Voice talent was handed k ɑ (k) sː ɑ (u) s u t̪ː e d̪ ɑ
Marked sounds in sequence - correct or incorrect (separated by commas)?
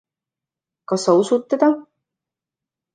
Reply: incorrect, correct